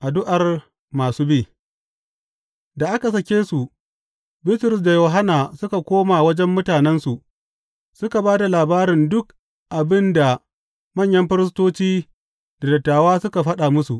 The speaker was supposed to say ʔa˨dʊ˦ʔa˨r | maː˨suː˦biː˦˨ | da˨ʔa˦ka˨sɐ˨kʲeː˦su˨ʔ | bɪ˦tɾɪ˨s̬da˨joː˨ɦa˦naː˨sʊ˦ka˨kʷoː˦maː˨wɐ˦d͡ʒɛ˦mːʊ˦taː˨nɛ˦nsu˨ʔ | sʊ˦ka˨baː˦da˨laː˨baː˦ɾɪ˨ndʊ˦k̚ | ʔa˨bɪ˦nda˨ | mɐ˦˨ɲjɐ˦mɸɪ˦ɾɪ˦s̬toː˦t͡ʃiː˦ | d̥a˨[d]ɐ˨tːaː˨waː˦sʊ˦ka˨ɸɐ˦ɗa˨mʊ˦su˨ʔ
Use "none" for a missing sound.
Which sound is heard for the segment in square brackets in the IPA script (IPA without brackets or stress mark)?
d